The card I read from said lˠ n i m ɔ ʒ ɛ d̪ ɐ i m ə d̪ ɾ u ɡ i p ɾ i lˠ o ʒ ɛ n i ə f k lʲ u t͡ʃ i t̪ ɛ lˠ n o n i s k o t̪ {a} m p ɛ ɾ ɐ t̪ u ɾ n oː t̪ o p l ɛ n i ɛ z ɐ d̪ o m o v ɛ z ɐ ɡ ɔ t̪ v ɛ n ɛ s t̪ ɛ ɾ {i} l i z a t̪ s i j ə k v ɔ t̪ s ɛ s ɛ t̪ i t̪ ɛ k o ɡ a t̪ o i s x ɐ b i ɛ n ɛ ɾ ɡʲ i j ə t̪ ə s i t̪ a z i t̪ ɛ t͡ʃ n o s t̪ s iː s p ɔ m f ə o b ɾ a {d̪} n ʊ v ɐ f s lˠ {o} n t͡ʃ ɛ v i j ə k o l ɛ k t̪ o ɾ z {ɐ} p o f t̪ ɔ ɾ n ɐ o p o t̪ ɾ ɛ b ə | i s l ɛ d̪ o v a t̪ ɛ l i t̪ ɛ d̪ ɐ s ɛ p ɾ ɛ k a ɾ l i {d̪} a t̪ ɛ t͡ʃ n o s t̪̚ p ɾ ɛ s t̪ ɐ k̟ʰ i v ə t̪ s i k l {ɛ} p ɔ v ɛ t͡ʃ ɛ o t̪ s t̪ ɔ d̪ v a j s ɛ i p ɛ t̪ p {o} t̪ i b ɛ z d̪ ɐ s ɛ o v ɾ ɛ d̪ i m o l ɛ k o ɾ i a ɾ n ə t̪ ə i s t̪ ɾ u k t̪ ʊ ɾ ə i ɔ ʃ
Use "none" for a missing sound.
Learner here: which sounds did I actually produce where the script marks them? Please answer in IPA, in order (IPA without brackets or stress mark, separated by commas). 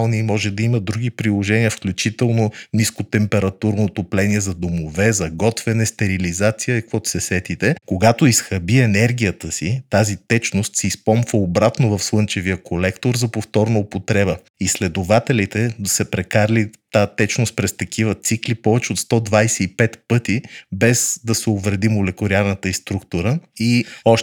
ɛ, i, t̪, ɤ, ɐ, t̪, i, ɤ